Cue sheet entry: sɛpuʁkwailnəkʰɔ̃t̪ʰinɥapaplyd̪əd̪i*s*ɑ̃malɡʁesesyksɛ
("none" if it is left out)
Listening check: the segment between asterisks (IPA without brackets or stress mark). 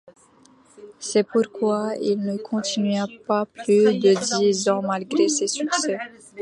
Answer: z